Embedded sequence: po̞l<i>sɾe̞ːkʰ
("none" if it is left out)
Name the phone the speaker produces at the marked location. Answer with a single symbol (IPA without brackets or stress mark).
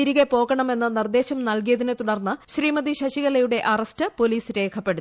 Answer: iː